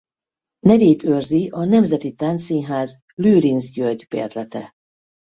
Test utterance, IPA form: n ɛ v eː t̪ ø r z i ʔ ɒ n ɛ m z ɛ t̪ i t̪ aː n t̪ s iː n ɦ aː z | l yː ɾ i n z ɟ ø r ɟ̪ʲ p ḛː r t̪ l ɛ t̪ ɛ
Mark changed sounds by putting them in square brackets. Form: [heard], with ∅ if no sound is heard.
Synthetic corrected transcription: n ɛ v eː t̪ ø r z i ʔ ɒ n ɛ m z ɛ t̪ i t̪ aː n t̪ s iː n ɦ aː z | l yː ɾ i n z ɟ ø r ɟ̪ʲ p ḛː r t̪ l ɛ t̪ ɛ